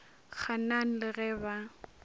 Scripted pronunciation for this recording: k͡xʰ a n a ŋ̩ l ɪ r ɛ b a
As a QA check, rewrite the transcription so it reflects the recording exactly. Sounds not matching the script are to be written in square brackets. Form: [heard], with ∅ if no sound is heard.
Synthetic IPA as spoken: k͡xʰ a n a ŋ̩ l ɪ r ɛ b a

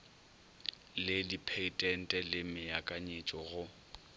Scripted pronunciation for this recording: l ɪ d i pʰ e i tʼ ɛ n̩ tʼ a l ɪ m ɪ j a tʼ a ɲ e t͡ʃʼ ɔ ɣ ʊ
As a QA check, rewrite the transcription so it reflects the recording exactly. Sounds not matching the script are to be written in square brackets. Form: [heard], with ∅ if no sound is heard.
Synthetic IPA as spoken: l ɪ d i pʰ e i tʼ ɛ n̩ tʼ [ɛ] l ɪ m ɪ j a [kʼ] a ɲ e t͡ʃʼ ɔ ɣ ʊ

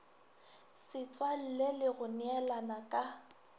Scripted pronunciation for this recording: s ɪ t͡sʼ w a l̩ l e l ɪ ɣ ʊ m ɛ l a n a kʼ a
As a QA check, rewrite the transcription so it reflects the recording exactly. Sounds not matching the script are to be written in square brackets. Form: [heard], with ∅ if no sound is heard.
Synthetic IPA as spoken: s ɪ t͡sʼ w a l̩ l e l ɪ ɣ ʊ [n] ɛ l a n a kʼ a

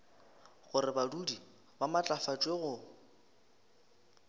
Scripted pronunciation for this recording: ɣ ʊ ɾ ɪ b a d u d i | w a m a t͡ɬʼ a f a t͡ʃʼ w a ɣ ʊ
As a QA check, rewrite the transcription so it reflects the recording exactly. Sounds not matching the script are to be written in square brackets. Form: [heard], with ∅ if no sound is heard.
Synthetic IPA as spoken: ɣ ʊ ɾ ɪ b a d u d i | [b] a m a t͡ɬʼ a f a t͡ʃʼ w [e] ɣ ʊ

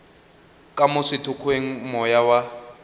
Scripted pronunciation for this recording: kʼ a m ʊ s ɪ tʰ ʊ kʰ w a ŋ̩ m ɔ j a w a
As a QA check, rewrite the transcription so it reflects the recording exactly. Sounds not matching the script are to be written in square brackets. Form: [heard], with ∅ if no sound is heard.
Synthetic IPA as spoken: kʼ a m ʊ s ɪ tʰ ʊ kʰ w [e] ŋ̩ m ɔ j a w a

